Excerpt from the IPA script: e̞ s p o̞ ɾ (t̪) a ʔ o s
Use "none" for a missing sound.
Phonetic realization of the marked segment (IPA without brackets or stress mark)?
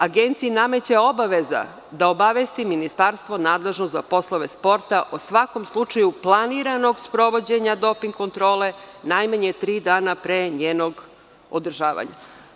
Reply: t̪